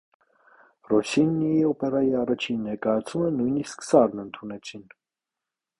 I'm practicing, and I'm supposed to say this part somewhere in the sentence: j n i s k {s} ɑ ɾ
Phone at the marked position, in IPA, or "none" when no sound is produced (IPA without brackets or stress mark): s